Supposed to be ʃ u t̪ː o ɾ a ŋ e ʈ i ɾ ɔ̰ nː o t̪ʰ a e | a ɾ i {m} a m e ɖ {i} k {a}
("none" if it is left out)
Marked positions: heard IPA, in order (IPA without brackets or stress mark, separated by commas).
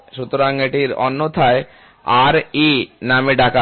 n, a, a